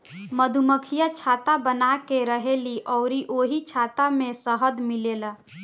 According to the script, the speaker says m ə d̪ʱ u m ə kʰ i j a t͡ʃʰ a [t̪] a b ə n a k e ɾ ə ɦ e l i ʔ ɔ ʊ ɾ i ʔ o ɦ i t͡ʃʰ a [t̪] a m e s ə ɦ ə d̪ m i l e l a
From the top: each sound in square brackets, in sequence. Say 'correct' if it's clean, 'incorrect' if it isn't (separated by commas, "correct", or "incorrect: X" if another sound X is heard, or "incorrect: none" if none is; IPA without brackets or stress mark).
correct, correct